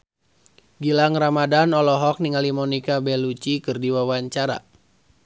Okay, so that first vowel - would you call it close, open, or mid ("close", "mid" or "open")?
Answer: close